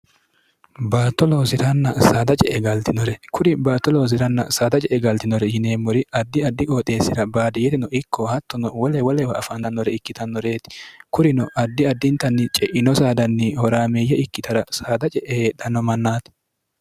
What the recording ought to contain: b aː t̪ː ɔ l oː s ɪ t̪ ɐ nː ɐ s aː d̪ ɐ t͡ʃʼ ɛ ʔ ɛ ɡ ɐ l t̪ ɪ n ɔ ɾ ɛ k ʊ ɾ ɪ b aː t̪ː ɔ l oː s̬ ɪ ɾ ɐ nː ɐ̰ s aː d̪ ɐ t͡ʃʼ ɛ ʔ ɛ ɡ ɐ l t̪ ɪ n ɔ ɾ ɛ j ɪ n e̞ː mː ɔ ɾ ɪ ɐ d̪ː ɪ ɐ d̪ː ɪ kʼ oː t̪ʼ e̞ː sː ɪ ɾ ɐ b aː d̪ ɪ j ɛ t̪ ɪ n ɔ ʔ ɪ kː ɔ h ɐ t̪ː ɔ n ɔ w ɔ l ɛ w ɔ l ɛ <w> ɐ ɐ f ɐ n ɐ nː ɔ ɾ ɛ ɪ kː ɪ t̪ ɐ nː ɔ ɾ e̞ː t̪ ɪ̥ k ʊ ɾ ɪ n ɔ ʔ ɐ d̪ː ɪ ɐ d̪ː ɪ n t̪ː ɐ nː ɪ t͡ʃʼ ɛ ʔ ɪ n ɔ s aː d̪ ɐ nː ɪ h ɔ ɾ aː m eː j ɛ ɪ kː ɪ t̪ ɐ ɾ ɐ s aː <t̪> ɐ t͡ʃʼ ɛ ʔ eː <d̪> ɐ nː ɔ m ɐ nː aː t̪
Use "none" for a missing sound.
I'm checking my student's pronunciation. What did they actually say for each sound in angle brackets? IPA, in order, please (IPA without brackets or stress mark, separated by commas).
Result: w, d̪, d̪